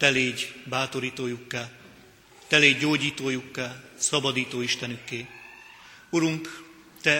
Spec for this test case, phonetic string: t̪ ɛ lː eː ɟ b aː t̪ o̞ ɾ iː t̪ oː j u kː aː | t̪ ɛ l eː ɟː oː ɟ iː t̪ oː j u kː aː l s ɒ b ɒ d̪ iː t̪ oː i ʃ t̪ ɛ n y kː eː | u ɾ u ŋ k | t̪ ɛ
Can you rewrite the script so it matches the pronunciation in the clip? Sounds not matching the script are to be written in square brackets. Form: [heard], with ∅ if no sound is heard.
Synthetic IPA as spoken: t̪ ɛ [l] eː ɟ b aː t̪ o̞ ɾ iː t̪ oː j u kː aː | t̪ ɛ l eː ɟː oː ɟ iː t̪ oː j u kː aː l s ɒ b ɒ d̪ iː t̪ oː i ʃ t̪ ɛ n y kː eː | u ɾ u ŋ k | t̪ ɛ